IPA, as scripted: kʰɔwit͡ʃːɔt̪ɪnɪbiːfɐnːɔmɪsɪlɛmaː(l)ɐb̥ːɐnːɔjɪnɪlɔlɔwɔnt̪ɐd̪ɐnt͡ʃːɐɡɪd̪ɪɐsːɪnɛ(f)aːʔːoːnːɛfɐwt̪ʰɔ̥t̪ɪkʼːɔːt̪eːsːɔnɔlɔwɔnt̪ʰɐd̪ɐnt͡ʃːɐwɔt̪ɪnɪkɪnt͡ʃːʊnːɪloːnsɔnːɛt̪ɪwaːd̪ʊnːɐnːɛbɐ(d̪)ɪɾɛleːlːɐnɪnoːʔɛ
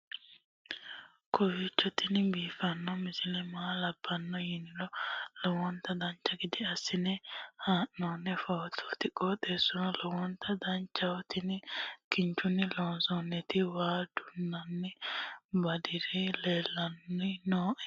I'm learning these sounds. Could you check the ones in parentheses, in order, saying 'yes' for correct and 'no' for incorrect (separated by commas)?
yes, no, yes